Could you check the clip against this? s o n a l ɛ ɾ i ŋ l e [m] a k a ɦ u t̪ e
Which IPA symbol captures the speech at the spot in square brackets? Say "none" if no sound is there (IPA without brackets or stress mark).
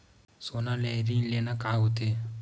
n